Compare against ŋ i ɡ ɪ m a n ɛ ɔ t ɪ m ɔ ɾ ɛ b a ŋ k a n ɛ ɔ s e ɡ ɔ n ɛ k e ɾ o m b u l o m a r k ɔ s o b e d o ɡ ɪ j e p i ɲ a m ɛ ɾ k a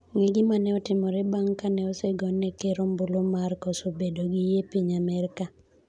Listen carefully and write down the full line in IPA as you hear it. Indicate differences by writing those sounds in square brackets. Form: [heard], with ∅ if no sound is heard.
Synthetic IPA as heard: ŋ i ɡ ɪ m a n ɛ ɔ t ɪ m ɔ ɾ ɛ b a ŋ k a n ɛ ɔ s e ɡ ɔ n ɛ k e ɾ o m b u l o m a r k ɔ s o b e d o ɡ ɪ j e p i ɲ a m ɛ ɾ k a